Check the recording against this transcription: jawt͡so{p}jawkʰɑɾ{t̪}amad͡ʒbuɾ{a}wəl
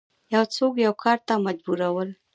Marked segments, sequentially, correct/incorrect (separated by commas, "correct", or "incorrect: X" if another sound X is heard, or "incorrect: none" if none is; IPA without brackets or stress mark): incorrect: k, correct, correct